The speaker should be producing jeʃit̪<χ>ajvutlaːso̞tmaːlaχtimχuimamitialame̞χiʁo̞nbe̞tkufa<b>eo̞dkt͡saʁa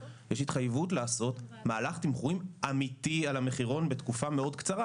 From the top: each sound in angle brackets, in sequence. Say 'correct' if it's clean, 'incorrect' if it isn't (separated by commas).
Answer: correct, incorrect